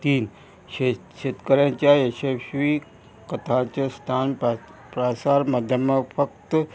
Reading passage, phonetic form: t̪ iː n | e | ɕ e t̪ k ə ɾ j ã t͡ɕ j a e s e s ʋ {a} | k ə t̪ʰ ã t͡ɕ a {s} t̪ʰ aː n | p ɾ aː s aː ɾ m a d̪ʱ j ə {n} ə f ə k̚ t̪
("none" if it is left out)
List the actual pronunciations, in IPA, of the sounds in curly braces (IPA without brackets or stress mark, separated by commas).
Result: i, s, m